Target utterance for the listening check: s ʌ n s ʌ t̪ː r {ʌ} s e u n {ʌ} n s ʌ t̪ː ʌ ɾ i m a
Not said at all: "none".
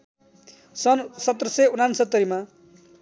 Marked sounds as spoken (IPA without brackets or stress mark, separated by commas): ʌ, a